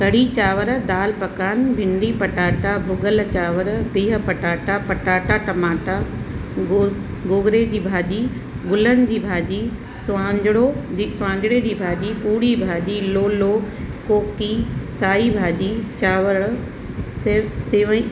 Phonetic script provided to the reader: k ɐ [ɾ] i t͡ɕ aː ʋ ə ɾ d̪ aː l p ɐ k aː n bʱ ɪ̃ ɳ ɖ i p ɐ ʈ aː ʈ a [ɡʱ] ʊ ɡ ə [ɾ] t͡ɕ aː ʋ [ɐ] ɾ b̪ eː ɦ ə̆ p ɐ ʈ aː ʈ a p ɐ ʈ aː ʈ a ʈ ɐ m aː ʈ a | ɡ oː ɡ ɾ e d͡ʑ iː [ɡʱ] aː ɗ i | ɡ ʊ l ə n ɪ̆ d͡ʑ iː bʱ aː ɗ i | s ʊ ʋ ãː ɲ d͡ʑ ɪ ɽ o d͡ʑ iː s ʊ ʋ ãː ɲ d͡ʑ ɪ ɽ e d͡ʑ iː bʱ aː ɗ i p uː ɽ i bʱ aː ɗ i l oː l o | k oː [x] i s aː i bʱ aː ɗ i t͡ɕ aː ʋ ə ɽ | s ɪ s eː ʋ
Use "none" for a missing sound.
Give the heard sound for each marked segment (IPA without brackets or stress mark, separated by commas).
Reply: ɽ, bʱ, l, ə, bʱ, k